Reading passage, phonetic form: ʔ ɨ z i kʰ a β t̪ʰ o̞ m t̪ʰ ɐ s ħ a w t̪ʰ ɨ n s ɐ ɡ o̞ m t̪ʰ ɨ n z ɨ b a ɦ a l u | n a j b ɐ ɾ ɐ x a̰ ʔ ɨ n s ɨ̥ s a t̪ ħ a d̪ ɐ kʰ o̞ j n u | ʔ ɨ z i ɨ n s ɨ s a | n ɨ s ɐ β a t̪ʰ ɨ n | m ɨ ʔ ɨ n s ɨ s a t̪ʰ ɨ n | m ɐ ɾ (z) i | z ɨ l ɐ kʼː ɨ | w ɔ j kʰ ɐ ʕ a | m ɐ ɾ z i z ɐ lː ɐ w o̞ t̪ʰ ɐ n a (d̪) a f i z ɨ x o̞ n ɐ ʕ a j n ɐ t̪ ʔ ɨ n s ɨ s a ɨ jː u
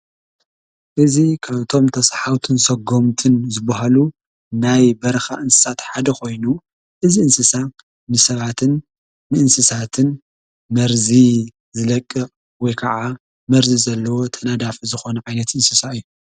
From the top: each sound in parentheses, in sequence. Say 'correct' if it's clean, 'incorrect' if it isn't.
correct, correct

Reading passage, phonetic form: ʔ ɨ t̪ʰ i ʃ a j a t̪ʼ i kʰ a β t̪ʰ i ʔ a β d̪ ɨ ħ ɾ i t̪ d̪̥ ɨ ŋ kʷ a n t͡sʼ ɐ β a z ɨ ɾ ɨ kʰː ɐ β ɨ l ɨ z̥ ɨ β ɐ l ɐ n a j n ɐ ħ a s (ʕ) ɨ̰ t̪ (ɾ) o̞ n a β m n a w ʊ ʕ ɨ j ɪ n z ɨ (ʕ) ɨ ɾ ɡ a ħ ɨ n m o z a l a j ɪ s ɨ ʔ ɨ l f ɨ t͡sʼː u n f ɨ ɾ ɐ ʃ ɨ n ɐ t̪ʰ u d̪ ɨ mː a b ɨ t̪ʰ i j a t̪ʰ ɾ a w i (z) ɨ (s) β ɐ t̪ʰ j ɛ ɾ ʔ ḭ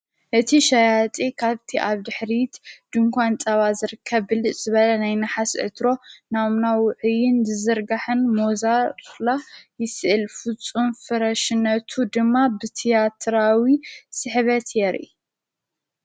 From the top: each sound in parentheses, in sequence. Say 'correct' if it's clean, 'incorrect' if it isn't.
correct, correct, incorrect, incorrect, incorrect

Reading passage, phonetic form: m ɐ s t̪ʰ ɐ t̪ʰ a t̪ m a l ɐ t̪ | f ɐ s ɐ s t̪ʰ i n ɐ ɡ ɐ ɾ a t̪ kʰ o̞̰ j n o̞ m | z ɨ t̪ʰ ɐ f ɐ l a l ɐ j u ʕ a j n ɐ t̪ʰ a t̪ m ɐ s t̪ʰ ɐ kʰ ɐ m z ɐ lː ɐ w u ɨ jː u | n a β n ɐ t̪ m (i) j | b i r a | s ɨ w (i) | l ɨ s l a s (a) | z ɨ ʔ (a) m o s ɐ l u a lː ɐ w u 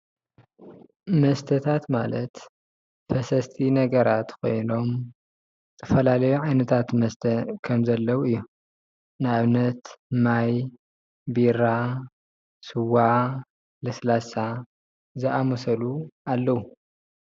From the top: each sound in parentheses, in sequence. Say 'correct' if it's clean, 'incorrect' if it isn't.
incorrect, incorrect, correct, correct

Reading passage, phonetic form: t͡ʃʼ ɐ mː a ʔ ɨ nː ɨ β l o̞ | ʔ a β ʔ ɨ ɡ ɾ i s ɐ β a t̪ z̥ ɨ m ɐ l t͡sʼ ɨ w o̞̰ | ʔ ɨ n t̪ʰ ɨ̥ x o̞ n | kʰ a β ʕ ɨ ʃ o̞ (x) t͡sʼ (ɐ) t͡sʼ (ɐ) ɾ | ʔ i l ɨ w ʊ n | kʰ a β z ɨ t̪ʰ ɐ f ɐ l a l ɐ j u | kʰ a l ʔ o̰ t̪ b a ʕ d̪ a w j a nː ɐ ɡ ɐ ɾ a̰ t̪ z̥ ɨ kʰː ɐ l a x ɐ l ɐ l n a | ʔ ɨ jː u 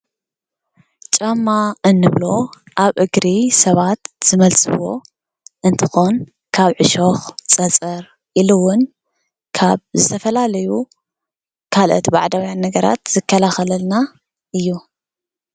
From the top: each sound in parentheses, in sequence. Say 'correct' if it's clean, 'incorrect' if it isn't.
correct, correct, correct

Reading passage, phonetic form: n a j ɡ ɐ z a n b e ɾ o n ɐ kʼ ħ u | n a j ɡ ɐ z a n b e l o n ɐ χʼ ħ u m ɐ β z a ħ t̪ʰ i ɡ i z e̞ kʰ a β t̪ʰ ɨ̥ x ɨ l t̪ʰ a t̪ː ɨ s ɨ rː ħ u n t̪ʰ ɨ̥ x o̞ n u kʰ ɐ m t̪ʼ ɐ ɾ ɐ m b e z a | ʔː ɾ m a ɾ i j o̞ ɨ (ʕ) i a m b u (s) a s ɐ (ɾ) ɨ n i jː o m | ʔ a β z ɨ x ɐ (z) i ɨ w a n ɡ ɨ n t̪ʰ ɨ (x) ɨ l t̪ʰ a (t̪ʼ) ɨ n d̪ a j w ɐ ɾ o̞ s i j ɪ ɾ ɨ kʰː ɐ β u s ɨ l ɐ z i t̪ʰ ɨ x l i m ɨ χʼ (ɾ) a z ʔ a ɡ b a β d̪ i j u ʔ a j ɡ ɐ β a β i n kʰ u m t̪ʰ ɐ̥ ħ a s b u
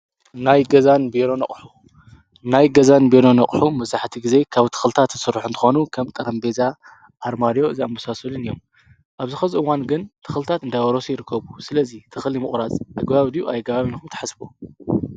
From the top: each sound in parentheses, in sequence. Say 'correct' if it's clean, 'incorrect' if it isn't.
incorrect, correct, incorrect, correct, correct, incorrect, correct

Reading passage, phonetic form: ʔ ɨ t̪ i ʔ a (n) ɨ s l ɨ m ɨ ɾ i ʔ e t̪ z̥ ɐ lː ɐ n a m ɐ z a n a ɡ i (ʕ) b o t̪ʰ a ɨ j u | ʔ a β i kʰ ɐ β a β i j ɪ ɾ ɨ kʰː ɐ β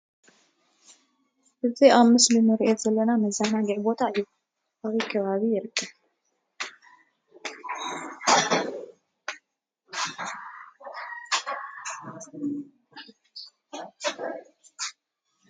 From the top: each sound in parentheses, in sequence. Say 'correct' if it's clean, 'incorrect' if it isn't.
incorrect, correct

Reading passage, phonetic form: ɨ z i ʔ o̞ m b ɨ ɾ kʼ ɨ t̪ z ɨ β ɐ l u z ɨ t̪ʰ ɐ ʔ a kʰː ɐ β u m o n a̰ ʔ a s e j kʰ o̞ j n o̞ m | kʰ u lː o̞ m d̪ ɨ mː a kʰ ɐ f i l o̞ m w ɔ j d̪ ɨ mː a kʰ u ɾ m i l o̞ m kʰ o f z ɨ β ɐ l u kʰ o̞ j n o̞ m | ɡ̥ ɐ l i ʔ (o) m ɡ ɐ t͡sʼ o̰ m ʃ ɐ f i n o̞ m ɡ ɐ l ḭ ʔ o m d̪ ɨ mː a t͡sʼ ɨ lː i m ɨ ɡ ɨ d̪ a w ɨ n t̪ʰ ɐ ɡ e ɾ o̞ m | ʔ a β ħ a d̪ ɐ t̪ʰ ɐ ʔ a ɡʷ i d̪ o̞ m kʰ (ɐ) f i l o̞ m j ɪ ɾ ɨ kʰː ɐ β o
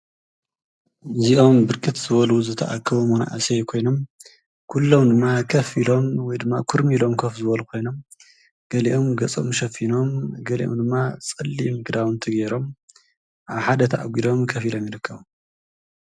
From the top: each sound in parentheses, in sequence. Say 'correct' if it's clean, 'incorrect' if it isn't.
correct, correct

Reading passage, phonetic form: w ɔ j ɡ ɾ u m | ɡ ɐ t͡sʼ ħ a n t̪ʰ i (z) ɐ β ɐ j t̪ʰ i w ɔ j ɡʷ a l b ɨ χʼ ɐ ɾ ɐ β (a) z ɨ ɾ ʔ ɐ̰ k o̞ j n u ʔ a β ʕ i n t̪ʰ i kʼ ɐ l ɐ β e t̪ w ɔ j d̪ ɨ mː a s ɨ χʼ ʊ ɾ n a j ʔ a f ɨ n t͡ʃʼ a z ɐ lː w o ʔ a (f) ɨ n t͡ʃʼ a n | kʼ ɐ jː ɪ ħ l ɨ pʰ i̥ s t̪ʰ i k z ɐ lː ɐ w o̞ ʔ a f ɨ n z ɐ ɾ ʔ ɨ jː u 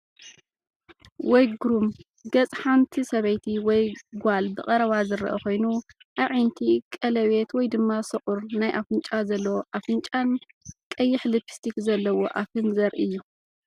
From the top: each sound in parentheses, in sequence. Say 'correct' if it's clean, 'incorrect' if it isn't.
incorrect, correct, correct

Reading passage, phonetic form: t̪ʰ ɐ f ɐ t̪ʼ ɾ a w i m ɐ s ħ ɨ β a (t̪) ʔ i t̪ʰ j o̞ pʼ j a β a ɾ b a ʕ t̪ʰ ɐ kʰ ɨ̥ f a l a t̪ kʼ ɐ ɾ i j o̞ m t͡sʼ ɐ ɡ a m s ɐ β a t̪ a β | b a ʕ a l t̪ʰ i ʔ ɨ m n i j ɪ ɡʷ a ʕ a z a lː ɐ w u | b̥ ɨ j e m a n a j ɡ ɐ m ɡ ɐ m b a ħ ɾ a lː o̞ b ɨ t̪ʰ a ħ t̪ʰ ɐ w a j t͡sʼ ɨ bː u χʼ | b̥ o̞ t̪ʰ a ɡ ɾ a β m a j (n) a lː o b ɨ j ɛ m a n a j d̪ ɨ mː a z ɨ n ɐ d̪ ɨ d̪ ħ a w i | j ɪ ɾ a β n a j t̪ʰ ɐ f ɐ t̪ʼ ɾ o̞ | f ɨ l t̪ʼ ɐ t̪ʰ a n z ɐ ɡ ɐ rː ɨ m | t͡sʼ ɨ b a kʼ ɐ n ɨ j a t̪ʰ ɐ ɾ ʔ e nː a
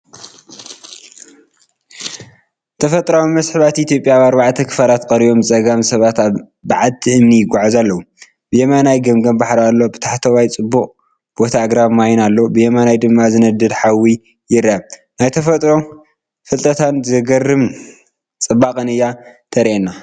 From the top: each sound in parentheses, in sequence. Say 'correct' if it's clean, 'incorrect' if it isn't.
correct, correct

